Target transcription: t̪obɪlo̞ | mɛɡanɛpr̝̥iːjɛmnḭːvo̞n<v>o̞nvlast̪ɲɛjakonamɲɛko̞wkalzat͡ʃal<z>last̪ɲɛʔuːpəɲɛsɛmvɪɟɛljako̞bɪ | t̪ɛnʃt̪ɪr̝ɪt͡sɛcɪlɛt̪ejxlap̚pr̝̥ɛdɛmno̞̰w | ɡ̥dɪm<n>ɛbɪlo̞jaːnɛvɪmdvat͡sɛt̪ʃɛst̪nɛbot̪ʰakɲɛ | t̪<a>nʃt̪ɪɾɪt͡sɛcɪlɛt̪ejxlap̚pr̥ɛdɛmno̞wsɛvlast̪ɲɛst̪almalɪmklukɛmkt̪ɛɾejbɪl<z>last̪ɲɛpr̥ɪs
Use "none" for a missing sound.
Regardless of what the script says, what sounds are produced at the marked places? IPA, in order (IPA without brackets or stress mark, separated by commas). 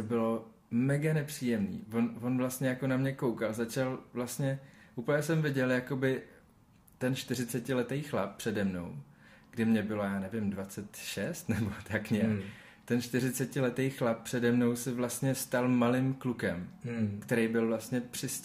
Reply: v, v, ɲ, ɛ, v